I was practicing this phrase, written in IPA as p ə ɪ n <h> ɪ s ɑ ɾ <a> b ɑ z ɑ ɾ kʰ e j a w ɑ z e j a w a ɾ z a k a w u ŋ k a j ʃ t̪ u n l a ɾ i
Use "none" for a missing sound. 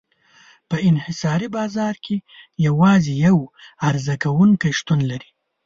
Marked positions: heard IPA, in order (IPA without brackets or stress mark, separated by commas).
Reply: h, i